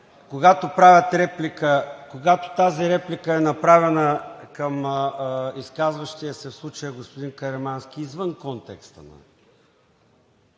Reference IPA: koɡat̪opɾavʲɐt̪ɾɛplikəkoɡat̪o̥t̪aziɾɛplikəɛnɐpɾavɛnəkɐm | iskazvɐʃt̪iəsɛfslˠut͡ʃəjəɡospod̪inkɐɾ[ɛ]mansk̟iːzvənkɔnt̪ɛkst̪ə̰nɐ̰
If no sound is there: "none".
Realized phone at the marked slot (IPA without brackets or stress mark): ɛ